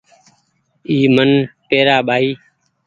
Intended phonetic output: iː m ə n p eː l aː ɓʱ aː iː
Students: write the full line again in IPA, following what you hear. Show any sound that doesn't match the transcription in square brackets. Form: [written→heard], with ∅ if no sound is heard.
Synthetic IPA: iː m ə n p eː [l→ɾ] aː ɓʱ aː iː